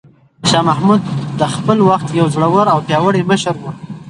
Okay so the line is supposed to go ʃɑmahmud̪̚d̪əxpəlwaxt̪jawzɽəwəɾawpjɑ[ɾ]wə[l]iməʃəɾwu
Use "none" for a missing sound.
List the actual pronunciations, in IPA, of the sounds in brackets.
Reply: none, ɽ

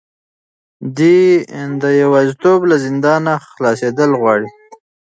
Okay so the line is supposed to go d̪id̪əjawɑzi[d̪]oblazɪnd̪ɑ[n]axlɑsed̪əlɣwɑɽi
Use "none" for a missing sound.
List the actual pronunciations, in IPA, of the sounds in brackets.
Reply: t̪, n

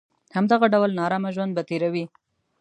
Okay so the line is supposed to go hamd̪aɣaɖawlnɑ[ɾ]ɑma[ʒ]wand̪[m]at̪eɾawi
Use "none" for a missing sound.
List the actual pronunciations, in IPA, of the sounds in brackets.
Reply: ɾ, ʒ, b

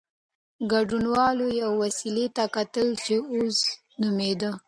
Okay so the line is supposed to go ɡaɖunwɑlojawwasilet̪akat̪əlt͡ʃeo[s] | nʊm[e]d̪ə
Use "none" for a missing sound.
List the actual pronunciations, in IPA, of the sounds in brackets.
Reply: s, e

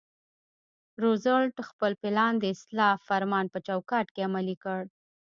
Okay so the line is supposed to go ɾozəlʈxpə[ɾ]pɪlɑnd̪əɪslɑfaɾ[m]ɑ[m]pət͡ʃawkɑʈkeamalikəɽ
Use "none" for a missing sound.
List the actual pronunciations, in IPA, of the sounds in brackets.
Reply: l, m, n

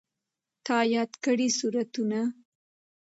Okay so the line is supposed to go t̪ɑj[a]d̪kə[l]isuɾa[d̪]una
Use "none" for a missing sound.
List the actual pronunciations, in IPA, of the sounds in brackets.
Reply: ɑ, ɽ, t̪

